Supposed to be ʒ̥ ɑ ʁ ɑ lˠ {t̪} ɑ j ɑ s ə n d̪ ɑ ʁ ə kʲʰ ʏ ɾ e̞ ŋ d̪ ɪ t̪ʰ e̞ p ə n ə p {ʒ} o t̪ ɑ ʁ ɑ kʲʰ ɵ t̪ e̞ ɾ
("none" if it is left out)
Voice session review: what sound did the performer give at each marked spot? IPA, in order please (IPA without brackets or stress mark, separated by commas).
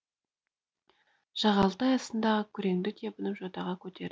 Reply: t̪, ʒ